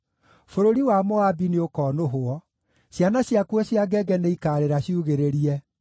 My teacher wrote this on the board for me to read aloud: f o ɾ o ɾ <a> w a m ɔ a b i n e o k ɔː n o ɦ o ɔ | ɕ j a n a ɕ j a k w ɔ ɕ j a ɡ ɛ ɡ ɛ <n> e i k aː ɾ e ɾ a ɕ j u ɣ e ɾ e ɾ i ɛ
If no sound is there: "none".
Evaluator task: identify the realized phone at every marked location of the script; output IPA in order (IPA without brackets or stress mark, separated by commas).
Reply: i, n